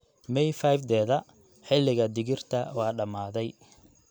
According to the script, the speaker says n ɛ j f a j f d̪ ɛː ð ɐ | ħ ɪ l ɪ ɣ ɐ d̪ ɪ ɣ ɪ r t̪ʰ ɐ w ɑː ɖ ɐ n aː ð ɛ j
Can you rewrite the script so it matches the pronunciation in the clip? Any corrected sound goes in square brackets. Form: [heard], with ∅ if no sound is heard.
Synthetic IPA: [m] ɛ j f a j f d̪ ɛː ð ɐ | ħ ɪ l ɪ ɣ ɐ d̪ ɪ ɣ ɪ r t̪ʰ ɐ w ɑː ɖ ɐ [m] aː ð ɛ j